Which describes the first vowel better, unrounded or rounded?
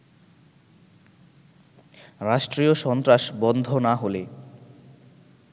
unrounded